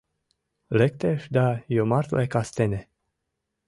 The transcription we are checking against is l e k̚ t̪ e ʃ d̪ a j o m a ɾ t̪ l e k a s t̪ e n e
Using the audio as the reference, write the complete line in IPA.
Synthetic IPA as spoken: l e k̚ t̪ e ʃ d̪ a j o m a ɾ t̪ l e k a s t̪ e n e

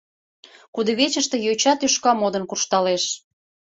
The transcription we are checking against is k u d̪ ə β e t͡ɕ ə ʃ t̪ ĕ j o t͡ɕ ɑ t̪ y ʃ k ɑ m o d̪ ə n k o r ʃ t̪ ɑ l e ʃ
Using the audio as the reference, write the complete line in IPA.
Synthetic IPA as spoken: k u d̪ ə β e t͡ɕ ə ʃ t̪ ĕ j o t͡ɕ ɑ t̪ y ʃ k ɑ m o d̪ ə n k u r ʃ t̪ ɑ l e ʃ

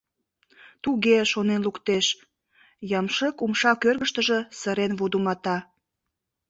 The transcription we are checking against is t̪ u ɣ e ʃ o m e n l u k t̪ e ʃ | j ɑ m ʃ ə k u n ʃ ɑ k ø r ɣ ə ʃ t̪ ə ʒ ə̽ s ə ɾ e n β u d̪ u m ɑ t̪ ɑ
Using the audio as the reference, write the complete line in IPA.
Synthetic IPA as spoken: t̪ u ɣ e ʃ o n e n l u k t̪ e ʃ | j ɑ m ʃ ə k u m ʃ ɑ k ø r ɣ ə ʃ t̪ ə ʒ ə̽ s ə ɾ e n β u d̪ u m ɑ t̪ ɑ

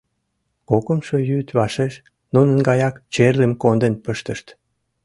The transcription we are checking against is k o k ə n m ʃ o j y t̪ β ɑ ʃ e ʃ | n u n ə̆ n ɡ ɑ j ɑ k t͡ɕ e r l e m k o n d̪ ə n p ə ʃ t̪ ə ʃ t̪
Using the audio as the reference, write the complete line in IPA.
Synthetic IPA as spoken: k o k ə m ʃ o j y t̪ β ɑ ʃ e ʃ | n u n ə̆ n ɡ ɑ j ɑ k t͡ɕ e r l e m k o n d̪ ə n p ə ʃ t̪ ə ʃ t̪

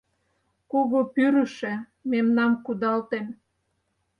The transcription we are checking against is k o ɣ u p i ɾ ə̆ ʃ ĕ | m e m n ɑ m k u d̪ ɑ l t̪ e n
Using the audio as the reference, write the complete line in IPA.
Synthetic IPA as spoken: k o ɣ o p y ɾ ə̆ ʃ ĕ | m e m n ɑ m k u d̪ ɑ l t̪ e m

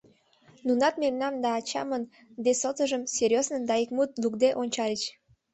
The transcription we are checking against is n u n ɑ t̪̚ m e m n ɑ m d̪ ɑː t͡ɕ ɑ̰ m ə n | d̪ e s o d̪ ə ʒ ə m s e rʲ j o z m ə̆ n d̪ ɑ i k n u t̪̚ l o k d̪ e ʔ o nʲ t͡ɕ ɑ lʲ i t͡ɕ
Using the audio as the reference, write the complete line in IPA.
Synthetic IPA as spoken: n u n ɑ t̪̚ m e m n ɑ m d̪ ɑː t͡ɕ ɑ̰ m ə n | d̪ e s o t̪ ə ʒ ə m s e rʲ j o z n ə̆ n d̪ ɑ i k m u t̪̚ l u k d̪ e ʔ o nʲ t͡ɕ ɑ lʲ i t͡ɕ

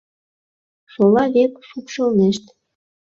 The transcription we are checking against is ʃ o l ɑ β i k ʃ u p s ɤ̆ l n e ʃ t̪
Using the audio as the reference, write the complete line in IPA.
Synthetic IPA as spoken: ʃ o l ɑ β e k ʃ u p ʃ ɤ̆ l n e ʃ t̪

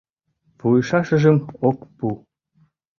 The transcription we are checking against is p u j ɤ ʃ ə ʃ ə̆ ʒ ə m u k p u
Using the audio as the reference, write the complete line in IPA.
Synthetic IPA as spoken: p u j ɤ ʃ ɑ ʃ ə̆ ʒ ə m o k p u

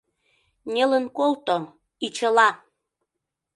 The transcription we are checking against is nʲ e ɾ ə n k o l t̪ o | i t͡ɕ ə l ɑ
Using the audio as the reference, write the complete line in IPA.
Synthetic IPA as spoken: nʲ e l ə n k o l t̪ o | i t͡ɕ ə l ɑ

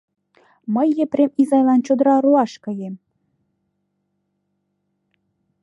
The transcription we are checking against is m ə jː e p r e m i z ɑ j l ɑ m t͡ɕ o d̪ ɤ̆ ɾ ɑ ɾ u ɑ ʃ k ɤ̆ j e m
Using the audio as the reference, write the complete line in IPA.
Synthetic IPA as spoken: m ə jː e p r e m i z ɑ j l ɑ n t͡ɕ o d̪ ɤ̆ ɾ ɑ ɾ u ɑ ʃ k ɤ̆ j e m

